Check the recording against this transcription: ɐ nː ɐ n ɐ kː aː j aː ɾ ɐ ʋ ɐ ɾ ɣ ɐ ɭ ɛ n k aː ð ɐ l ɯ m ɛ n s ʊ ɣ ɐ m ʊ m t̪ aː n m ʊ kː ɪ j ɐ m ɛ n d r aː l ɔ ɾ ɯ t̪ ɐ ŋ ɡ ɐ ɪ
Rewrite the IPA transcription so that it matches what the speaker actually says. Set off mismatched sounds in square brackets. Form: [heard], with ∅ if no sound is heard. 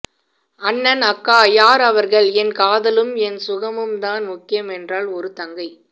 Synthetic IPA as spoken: ɐ nː ɐ n ɐ kː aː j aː ɾ ɐ ʋ ɐ ɾ ɣ ɐ ɭ ɛ n k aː ð ɐ l ɯ m ɛ n s ʊ ɣ ɐ m [ɯ] m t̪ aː n m ʊ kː ɪ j ɐ m ɛ n d r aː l ɔ ɾ ɯ t̪ ɐ ŋ ɡ ɐ ɪ